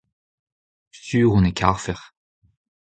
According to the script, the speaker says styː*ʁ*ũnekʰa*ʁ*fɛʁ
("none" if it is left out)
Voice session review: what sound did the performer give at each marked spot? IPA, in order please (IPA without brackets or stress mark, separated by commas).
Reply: ʁ, ʁ